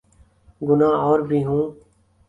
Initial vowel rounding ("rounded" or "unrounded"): rounded